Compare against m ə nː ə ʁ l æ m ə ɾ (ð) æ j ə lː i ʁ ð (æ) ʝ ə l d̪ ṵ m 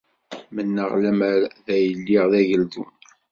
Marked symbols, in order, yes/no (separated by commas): yes, yes